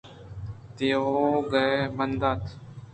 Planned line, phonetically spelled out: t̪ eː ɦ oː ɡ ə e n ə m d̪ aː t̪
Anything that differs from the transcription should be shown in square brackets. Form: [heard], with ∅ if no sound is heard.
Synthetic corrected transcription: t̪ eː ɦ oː ɡ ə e [m] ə [n] d̪ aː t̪